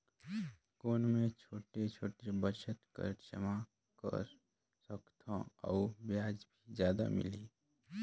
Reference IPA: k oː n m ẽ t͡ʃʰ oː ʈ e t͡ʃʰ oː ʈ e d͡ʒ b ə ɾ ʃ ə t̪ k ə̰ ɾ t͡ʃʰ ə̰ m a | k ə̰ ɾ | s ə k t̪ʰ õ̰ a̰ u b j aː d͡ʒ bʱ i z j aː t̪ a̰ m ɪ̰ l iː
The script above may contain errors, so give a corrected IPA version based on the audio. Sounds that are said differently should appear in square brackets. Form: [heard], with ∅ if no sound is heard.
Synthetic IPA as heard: k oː n m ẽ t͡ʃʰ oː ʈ e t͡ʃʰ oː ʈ e [∅] b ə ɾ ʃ ə t̪ k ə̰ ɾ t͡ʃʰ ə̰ m a | k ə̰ ɾ | s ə k t̪ʰ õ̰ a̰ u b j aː d͡ʒ bʱ i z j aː [d̪] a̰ m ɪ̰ l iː